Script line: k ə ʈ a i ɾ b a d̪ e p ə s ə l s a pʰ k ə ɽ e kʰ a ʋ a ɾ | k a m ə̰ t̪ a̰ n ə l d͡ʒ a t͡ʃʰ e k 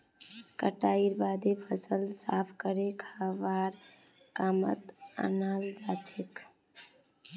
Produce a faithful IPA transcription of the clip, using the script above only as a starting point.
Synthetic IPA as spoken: k ə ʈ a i ɾ b a d̪ e pʰ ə s ə l s a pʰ k ə ɾ e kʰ a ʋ a ɾ | k a m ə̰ t̪ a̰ n a l d͡ʒ a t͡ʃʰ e k